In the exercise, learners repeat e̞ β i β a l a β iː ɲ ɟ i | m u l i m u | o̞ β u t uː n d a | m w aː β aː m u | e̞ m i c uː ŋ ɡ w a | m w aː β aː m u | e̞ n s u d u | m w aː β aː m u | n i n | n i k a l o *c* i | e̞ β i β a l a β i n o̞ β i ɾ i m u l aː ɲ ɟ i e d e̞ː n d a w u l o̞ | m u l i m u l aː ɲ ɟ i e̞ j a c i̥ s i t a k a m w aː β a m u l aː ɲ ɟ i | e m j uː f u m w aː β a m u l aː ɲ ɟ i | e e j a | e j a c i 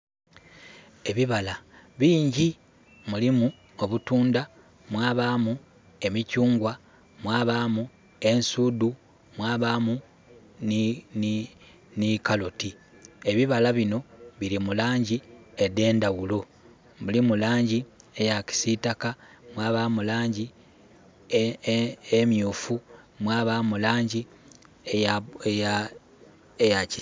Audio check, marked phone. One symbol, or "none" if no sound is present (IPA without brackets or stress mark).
t